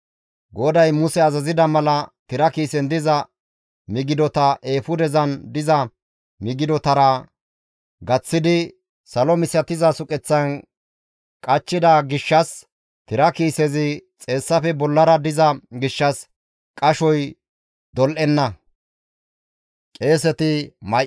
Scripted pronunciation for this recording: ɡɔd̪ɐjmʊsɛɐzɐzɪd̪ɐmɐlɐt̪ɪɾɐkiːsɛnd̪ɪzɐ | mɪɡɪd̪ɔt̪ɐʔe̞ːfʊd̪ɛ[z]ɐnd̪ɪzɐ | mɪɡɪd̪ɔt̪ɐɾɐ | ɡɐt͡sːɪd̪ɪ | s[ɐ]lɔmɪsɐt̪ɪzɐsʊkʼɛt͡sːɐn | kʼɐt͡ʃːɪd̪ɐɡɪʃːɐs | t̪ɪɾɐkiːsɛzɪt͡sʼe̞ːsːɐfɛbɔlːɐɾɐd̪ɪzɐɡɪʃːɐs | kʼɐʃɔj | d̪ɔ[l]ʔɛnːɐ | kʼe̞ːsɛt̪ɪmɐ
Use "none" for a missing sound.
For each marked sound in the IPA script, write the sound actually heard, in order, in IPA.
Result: z, ɐ, l

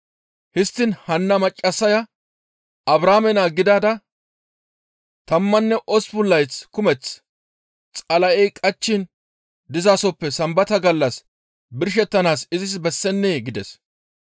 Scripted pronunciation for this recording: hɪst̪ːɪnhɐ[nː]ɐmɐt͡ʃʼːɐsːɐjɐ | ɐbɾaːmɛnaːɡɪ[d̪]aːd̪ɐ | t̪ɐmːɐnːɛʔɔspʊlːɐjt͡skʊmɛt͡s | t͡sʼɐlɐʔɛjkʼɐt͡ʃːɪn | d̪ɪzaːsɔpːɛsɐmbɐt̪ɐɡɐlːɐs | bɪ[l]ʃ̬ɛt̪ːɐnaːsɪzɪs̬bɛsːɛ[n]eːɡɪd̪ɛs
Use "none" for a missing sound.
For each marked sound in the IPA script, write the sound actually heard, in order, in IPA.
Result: nː, d̪, ɾ, nː

